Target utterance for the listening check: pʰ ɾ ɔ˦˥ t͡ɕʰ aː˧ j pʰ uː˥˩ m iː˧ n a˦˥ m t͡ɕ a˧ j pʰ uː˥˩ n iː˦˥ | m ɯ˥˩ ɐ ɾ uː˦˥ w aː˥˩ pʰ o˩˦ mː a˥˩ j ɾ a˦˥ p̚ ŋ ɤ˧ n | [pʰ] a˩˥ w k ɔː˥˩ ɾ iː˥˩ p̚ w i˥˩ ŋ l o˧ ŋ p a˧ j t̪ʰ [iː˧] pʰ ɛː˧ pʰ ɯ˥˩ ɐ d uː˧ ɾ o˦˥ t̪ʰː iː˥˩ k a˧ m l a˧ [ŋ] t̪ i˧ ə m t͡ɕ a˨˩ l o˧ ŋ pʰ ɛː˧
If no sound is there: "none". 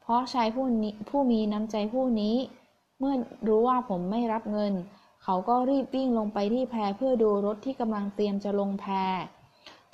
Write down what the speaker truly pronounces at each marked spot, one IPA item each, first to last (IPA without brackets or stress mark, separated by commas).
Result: kʰ, iː˥˩, ŋ